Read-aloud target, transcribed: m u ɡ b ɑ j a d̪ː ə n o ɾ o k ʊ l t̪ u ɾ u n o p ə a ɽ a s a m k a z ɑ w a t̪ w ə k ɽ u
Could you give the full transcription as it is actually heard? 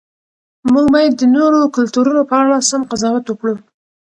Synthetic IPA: m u ɡ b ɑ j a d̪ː ə n o ɾ o k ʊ l t̪ u ɾ u n o p ə a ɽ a s a m q a z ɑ w a t̪ w ə k ɽ u